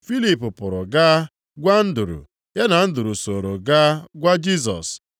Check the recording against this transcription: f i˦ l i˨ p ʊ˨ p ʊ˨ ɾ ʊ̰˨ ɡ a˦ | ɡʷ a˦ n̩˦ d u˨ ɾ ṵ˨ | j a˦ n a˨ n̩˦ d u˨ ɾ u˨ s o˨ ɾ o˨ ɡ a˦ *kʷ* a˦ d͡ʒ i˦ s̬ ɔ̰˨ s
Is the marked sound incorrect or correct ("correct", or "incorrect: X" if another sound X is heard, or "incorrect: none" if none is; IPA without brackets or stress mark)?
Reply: incorrect: ɡʷ